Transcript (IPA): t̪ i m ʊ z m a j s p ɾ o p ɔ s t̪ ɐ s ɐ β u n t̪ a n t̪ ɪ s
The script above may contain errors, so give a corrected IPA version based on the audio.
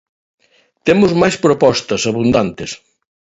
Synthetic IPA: t̪ e m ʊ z m a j s p ɾ o p ɔ s t̪ ɐ s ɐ β u n d̪ a n t̪ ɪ s